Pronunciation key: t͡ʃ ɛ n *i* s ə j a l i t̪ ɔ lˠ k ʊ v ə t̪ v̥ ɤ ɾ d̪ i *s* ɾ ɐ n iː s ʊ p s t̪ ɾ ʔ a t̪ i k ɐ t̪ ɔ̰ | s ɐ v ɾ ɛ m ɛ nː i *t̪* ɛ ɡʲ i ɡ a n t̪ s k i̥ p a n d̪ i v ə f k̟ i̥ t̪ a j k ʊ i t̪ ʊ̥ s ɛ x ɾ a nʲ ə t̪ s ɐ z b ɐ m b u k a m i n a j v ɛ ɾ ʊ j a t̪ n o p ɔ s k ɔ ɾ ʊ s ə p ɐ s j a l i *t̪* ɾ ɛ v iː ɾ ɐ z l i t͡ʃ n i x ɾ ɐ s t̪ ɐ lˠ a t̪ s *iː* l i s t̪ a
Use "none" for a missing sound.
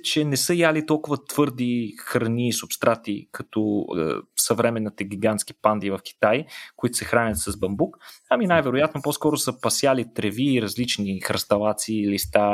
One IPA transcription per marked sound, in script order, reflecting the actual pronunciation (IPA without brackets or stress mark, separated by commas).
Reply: ɛ, x, t̪, t̪, iː